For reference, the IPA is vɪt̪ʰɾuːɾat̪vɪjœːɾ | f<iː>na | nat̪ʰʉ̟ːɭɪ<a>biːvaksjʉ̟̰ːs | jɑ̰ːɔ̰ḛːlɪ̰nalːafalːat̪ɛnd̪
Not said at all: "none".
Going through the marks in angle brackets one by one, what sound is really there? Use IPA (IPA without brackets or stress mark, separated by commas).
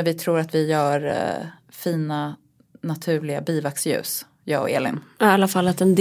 iː, a